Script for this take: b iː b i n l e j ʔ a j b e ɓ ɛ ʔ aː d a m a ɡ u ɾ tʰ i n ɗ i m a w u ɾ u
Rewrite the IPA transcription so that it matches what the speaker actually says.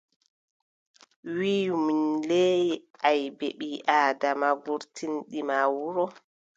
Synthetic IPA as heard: w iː m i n l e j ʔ a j b e ɓ i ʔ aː d a m a ɡ u ɾ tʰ i n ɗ i m a w u ɾ ɔ